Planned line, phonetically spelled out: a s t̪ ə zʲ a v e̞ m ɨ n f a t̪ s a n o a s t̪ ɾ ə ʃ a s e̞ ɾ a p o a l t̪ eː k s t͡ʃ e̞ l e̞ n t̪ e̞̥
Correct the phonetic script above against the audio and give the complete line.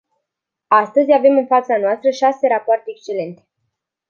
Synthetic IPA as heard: a s t̪ ə zʲ a v e̞ m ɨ n f a t̪ s a n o a s t̪ ɾ ə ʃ a s e̞ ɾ a p o a r t̪ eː k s t͡ʃ e̞ l e̞ n t̪ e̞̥